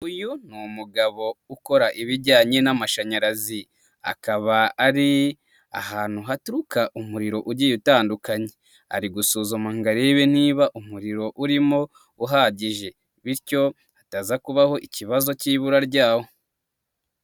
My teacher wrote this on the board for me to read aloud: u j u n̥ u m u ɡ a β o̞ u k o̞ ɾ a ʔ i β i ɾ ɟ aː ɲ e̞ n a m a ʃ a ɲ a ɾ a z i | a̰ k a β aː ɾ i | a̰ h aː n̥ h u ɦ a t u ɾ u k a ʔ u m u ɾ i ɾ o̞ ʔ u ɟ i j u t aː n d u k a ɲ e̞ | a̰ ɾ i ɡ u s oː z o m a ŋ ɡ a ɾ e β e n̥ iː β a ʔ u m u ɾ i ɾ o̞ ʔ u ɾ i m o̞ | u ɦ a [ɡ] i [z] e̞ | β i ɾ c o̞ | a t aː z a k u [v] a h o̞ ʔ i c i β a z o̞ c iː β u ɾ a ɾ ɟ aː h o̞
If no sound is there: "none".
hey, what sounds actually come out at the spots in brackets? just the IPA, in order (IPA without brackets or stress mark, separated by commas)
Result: ɟ, ʒ, β